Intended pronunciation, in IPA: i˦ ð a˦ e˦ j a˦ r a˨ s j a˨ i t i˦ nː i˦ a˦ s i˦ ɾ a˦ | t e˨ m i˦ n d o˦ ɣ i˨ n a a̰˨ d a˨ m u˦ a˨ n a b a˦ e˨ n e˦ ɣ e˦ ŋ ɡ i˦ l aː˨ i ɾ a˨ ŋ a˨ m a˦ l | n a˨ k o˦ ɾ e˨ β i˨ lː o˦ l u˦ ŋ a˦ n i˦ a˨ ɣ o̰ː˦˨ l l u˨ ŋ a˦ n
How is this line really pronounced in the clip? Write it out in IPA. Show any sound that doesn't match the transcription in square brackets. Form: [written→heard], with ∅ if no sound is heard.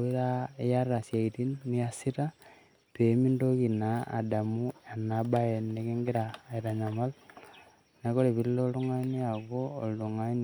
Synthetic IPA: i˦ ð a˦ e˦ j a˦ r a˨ s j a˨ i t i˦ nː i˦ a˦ s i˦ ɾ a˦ | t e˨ m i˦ n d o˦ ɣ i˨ n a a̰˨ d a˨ m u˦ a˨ n a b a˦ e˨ n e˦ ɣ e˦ ŋ ɡ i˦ [l→ɾ] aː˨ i ɾ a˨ [ŋ→ɲ] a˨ m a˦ l | n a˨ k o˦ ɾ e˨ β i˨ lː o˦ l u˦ ŋ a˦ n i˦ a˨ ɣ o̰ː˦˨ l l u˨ ŋ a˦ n